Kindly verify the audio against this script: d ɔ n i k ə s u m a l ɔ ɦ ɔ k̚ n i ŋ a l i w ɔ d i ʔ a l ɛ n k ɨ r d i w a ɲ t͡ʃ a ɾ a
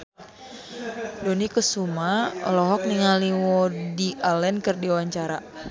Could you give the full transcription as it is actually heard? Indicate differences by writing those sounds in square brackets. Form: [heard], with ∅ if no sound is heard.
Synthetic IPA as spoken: d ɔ n i k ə s u m a l ɔ ɦ ɔ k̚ n i ŋ a l i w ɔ d i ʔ a l ɛ n k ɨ r d i w a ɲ t͡ʃ a ɾ a

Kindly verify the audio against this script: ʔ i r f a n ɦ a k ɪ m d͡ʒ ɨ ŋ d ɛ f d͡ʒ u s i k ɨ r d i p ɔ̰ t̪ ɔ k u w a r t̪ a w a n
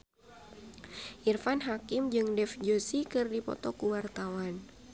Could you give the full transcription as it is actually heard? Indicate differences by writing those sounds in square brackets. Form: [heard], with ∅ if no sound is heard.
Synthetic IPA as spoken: ʔ i r f a n ɦ a k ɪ m d͡ʒ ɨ ŋ d ɛ f d͡ʒ [o] s i k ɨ r d i p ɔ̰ t̪ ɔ k u w a r t̪ a w a n

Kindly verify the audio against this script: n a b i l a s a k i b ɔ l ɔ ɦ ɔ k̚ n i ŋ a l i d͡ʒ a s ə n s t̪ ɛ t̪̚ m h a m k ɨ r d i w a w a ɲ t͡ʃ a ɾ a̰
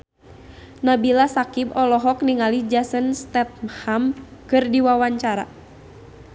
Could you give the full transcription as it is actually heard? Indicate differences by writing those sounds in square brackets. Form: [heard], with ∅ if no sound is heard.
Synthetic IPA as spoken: n a b i l a s a k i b ɔ l ɔ ɦ ɔ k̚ n i ŋ a l i d͡ʒ a s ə n s t̪ ɛ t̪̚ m h a m k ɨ r d i w a w a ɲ t͡ʃ a ɾ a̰

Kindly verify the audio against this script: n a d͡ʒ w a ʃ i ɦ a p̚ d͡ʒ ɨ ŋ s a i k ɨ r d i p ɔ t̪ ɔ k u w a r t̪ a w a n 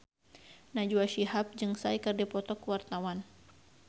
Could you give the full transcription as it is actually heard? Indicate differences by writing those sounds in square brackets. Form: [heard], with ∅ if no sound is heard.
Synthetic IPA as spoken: n a d͡ʒ [u] a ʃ i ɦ a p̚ d͡ʒ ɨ ŋ s a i k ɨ r d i p ɔ t̪ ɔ k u w a r t̪ a w a n

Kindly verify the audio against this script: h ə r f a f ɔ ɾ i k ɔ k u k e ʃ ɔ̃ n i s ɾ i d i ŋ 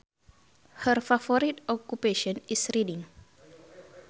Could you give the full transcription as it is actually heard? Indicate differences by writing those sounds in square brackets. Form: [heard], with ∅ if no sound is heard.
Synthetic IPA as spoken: h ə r f a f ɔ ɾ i [t] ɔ k u [p] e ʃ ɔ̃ n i s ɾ i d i ŋ

